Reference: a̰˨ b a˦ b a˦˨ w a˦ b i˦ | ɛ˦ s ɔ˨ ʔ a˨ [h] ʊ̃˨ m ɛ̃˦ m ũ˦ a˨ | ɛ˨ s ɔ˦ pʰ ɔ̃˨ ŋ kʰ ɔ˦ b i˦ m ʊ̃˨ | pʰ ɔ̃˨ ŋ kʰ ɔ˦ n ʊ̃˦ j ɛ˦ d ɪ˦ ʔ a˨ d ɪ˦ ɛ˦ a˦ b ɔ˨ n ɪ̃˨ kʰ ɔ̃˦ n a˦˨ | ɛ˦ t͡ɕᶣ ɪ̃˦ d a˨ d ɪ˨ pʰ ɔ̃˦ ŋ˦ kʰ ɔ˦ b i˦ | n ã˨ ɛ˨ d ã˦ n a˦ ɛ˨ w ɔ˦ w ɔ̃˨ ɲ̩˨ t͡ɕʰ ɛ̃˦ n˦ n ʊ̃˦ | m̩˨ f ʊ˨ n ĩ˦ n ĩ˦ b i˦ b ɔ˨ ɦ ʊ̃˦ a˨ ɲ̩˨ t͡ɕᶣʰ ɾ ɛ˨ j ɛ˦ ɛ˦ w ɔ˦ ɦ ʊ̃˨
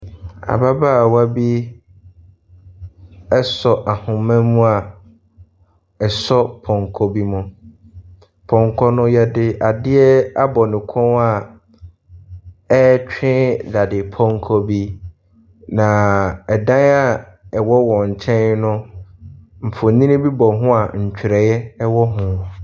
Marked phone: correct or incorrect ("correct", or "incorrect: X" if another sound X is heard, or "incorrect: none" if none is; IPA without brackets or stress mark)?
correct